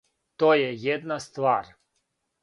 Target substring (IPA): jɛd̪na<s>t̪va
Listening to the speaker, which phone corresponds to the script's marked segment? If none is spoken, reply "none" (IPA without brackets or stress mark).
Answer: s